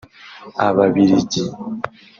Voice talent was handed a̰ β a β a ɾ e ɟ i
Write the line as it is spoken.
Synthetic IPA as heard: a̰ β a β i ɾ i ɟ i